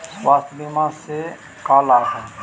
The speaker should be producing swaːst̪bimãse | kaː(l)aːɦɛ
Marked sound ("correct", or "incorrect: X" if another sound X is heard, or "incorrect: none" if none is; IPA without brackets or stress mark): correct